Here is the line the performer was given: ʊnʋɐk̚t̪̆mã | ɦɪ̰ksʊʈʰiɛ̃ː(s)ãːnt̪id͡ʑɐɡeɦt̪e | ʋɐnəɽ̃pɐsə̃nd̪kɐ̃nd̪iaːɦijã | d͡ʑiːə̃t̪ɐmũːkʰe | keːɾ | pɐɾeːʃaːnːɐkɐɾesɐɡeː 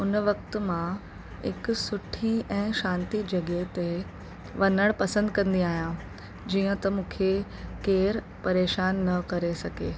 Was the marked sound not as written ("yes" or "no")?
yes